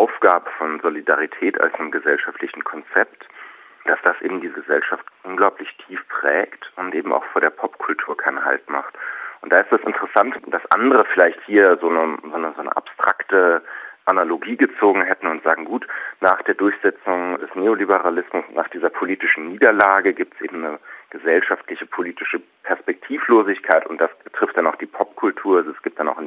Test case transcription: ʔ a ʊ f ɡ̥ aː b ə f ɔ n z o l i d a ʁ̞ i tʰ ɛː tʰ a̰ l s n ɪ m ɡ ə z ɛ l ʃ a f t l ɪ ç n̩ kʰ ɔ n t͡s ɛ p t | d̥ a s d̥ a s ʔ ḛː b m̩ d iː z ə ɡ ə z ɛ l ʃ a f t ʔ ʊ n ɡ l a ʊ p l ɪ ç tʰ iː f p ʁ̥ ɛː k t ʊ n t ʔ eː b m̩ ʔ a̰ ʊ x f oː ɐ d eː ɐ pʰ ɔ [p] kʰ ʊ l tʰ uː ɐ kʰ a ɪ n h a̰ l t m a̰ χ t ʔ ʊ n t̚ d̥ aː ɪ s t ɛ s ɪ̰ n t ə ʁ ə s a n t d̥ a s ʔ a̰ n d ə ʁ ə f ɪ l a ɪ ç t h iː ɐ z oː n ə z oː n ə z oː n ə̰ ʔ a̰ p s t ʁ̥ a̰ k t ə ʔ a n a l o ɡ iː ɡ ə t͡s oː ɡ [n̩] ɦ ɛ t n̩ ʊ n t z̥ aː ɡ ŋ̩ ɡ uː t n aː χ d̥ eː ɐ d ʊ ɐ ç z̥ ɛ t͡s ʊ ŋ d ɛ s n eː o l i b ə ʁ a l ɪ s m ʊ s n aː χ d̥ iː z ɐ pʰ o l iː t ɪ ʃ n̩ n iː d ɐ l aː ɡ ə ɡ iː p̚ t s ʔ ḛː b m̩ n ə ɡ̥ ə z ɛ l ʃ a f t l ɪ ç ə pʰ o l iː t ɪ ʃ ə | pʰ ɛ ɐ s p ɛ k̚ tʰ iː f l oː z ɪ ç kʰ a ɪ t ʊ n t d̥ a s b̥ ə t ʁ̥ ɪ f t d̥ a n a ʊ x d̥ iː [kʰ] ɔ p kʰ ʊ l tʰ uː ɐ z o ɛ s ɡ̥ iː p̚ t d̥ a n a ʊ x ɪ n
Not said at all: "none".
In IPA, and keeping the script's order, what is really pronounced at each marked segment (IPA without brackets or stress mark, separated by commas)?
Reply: p, ŋ̩, pʰ